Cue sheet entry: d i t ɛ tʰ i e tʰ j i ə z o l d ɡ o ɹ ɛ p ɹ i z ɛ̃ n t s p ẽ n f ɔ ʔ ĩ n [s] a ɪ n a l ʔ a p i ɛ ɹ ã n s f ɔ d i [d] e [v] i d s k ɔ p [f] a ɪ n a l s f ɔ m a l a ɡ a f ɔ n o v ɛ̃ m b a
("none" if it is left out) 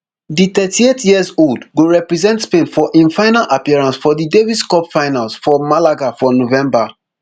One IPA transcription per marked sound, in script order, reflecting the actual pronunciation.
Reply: f, d, v, f

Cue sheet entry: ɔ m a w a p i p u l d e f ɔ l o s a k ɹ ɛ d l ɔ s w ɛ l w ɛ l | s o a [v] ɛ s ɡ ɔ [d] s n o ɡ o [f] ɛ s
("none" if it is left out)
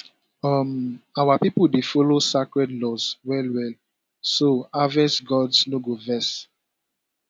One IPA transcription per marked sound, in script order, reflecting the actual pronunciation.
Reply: v, d, v

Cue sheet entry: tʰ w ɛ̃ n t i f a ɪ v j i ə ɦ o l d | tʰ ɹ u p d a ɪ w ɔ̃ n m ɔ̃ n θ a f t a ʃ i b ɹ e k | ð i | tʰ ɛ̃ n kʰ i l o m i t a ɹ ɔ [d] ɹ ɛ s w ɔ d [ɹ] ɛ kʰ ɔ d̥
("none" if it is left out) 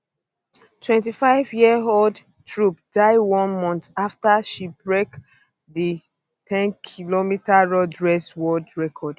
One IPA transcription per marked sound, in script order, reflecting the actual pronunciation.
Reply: d, ɹ

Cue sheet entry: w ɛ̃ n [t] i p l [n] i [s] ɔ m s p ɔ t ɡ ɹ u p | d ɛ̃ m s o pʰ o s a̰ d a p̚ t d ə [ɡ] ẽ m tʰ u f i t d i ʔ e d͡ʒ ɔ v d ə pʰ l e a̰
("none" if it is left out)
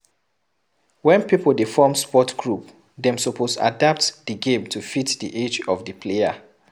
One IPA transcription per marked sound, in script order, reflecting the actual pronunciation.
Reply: p, d, f, ɡ

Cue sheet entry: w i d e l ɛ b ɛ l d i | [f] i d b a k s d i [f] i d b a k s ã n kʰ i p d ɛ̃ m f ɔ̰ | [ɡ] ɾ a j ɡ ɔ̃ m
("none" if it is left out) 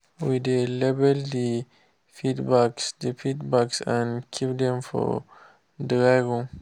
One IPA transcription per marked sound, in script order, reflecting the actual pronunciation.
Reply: f, f, d

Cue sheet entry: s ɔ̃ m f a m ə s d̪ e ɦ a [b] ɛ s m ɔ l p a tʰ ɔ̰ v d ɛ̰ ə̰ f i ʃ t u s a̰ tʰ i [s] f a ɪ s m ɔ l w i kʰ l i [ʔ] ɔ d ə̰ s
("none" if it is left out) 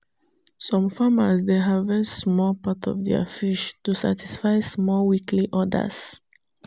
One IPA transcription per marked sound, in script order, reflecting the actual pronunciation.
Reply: v, s, ʔ

